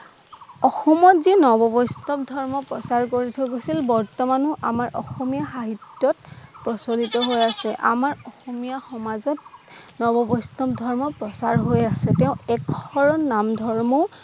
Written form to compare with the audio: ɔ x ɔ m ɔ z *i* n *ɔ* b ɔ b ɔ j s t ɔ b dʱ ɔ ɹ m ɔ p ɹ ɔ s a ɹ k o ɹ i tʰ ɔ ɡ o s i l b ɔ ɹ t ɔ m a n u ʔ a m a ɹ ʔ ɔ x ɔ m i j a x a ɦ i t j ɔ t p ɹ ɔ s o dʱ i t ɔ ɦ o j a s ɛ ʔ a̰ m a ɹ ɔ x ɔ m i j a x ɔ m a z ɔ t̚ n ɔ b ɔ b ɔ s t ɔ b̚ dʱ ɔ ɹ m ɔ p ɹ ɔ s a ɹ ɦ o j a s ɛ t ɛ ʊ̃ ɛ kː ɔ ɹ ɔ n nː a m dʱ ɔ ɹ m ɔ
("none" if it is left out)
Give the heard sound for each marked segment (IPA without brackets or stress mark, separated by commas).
i, ɔ